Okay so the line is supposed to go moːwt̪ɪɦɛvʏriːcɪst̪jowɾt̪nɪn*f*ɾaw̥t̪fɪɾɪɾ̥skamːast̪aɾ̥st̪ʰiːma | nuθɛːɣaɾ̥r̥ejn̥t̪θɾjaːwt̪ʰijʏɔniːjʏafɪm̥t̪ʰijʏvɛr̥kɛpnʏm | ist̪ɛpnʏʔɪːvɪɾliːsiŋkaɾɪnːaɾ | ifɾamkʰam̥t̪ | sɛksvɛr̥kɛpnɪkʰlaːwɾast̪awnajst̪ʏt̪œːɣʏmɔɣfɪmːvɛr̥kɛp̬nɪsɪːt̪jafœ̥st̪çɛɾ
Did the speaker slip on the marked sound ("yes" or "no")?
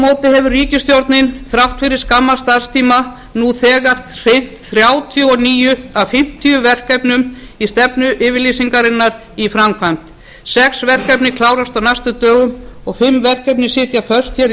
yes